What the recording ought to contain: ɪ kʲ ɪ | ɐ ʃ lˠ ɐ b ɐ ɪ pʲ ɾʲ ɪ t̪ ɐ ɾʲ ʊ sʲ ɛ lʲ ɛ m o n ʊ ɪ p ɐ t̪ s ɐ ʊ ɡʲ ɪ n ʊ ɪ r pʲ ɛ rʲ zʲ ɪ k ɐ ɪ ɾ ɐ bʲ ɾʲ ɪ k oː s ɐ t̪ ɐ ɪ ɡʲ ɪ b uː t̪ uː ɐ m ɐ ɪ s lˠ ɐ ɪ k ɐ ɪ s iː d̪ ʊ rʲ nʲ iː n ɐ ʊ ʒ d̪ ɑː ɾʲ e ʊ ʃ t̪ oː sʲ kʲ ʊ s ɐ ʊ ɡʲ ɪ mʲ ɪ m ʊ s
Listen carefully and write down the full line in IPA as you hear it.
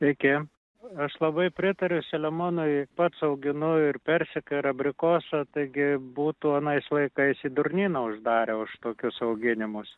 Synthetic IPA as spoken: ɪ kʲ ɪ | ɐ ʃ lˠ ɐ b ɐ ɪ pʲ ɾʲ ɪ t̪ ɐ ɾʲ ʊ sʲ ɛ lʲ ɛ m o n ʊ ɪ p ɐ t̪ s ɐ ʊ ɡʲ ɪ n ʊ ɪ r pʲ ɛ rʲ sʲ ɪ k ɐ ɪ ɾ ɐ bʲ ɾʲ ɪ k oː s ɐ t̪ ɐ ɪ ɡʲ ɪ b uː t̪ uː ɐ n ɐ ɪ s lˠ ɐ ɪ k ɐ ɪ s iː d̪ ʊ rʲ nʲ iː n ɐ ʊ ʒ d̪ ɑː ɾʲ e ʊ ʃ t̪ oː kʲ ʊ s ɐ ʊ ɡʲ ɪ nʲ ɪ m ʊ s

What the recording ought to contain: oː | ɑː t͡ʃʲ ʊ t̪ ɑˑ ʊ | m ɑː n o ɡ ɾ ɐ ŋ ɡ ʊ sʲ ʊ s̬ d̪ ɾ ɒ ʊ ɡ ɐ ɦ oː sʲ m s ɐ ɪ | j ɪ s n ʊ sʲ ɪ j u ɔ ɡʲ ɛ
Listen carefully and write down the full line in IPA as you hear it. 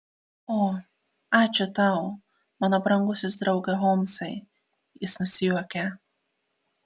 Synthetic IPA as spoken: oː | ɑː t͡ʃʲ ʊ t̪ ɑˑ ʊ | m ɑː n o b ɾ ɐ ŋ ɡ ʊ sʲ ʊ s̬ d̪ ɾ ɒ ʊ ɡ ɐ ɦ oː m s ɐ ɪ | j ɪ s n ʊ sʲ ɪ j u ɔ kʲ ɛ

